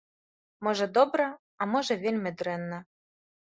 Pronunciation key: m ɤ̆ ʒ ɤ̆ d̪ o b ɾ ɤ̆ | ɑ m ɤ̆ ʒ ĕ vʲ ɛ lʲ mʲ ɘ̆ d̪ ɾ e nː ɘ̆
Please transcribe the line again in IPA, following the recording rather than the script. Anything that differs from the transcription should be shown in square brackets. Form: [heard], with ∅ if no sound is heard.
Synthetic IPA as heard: m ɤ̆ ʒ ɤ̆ d̪ o b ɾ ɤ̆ | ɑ m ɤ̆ ʒ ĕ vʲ [e] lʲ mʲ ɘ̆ d̪ ɾ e nː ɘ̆

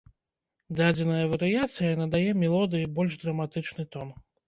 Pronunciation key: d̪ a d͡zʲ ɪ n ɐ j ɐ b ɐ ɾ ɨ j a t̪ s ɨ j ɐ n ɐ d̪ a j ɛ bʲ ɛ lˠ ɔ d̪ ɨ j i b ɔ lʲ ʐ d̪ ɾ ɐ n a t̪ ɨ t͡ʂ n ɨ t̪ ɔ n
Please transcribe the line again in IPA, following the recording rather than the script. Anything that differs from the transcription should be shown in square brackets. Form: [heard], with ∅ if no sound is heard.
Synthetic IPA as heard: d̪ a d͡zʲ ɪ n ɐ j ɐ [v] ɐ ɾ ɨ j a t̪ s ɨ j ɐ n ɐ d̪ a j ɛ [mʲ] ɛ lˠ ɔ d̪ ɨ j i b ɔ lʲ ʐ d̪ ɾ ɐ [m] a t̪ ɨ t͡ʂ n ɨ t̪ ɔ n

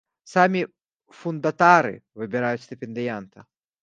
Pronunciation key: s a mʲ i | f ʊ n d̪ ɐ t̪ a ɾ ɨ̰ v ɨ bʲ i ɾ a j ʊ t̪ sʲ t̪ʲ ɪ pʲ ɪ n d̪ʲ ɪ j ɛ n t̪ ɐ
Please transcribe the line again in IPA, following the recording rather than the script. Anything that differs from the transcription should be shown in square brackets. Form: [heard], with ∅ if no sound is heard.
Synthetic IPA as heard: s a mʲ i | f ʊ n d̪ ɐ t̪ a ɾ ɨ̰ v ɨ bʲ [ɪ] ɾ a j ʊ t̪ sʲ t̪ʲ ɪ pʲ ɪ n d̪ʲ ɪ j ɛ n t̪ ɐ

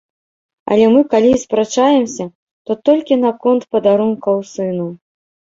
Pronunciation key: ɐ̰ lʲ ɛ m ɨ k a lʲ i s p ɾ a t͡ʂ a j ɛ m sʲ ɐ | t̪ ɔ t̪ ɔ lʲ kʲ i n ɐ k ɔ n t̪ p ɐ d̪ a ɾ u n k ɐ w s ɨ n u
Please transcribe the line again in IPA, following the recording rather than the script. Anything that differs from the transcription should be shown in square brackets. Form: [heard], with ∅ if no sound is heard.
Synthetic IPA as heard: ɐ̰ lʲ ɛ m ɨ k a lʲ i s p ɾ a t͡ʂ a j ɛ m sʲ ɐ | t̪ ɔ t̪ ɔ lʲ kʲ i n ɐ k ɔ n t̪ p ɐ d̪ a ɾ u n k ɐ w s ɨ n u

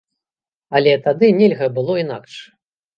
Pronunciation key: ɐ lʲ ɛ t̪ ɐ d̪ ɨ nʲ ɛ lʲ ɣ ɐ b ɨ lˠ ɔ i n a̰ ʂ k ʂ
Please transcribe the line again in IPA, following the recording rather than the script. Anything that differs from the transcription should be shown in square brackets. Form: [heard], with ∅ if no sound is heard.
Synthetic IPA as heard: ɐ lʲ ɛ t̪ [a] d̪ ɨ nʲ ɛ lʲ ɣ ɐ b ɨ lˠ ɔ i n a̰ [∅] k ʂ

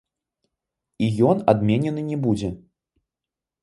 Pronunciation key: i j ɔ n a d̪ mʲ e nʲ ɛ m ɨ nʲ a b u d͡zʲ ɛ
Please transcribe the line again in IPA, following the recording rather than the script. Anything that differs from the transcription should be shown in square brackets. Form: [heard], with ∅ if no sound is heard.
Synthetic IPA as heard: i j ɔ n a d̪ mʲ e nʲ ɛ [n] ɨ nʲ [ɛ] b u d͡zʲ ɛ

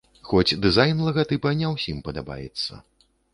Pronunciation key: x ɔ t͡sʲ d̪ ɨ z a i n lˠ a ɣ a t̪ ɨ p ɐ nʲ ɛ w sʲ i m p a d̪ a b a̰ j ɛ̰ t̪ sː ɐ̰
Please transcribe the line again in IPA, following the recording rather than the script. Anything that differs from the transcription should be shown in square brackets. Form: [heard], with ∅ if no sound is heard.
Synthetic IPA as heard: x ɔ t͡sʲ d̪ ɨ z a [j] n lˠ [ɐ] ɣ a t̪ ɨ p ɐ nʲ ɛ w sʲ i m p [ɐ] d̪ a b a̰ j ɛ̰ t̪ sː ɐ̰

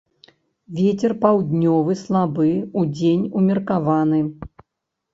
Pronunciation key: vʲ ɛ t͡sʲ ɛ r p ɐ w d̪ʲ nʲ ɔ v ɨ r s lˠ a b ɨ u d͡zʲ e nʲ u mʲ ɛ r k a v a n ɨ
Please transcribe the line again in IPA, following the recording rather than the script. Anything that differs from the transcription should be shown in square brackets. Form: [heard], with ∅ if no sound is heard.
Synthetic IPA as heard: vʲ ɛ t͡sʲ ɛ r p [a] w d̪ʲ nʲ ɔ v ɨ [∅] s lˠ a b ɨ u d͡zʲ e nʲ u mʲ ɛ r k a v a n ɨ

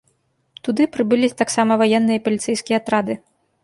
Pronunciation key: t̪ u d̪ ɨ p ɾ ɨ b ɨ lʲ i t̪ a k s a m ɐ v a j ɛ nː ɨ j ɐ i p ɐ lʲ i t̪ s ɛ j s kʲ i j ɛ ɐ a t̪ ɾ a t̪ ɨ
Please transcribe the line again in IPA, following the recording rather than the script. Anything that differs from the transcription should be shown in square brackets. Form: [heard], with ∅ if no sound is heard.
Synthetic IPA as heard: t̪ u d̪ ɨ p ɾ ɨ b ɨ lʲ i t̪ a k s a m ɐ v a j ɛ nː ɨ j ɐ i p ɐ lʲ i t̪ s ɛ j s kʲ i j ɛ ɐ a t̪ ɾ a [d̪] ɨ

